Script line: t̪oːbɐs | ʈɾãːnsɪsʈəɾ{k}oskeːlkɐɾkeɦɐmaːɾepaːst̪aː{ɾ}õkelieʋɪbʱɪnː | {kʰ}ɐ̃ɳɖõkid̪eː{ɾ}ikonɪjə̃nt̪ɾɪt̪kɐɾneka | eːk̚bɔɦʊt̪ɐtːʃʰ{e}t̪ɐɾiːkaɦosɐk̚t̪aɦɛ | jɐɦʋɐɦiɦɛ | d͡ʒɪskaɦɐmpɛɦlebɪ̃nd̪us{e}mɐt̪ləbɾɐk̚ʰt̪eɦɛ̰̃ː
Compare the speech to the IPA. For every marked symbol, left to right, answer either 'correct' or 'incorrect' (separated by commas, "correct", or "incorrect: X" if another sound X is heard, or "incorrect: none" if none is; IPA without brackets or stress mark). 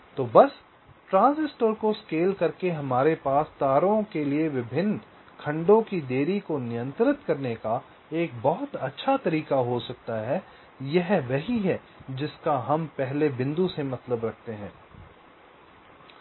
correct, correct, correct, correct, incorrect: a, correct